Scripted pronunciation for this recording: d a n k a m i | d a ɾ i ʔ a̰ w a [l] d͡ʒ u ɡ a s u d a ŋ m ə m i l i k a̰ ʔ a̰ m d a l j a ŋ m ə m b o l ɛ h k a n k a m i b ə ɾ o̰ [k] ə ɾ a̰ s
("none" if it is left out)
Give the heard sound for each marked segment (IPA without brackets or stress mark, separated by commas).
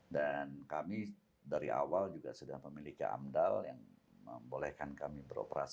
l, p